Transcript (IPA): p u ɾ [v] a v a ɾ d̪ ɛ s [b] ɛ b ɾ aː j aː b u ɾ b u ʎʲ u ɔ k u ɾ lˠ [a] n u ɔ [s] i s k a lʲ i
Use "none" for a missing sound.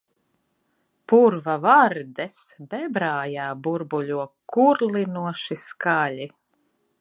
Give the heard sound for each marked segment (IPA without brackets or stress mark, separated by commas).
v, b, i, ʃ